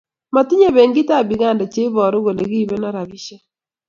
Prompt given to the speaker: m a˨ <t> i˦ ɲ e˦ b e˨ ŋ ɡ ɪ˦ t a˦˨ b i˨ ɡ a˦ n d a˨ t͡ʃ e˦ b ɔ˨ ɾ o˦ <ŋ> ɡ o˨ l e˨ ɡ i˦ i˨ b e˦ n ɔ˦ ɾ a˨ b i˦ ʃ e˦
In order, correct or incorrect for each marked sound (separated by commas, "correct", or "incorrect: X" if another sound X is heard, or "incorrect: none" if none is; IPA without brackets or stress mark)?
correct, incorrect: none